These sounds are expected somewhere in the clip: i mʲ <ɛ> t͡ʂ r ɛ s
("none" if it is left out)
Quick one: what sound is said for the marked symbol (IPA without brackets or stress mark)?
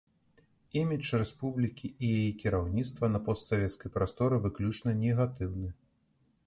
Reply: i